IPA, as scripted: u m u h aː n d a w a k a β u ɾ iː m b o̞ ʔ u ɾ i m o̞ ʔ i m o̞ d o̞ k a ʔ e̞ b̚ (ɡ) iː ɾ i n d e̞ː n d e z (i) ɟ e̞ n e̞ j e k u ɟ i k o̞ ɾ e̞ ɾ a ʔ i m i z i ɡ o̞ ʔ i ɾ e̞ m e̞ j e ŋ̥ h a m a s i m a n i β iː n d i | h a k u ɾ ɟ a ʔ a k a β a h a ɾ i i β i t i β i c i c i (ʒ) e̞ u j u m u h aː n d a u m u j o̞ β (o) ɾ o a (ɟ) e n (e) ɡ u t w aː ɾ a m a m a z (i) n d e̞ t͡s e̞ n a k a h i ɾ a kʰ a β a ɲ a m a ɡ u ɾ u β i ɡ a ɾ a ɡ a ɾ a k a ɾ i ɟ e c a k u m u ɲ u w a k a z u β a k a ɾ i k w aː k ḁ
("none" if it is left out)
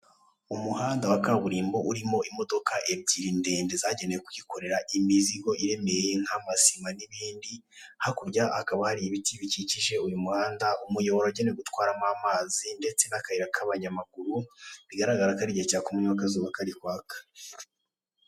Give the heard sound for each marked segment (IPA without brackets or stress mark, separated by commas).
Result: ɟ, a, ʒ, o, ɟ, e, i